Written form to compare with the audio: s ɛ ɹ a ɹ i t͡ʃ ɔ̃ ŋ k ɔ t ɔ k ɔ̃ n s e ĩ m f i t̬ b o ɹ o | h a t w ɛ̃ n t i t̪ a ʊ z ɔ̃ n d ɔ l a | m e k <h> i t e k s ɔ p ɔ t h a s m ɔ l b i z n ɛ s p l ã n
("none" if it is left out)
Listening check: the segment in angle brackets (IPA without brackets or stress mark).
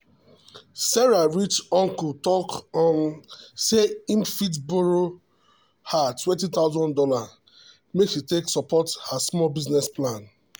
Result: ʃ